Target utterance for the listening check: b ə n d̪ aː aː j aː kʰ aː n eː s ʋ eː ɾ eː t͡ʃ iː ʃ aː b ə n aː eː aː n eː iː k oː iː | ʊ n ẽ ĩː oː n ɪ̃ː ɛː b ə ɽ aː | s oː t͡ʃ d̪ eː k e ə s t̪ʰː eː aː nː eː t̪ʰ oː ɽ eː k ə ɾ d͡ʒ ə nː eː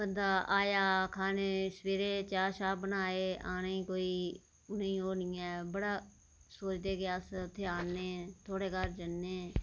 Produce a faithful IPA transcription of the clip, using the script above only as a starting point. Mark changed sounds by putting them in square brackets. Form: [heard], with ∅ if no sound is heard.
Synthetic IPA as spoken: b ə n d̪ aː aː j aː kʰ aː n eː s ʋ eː ɾ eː t͡ʃ [aː] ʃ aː b ə n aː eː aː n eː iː k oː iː | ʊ n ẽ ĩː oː n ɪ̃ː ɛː b ə ɽ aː | s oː t͡ʃ d̪ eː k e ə s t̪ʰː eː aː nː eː t̪ʰ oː ɽ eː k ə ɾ d͡ʒ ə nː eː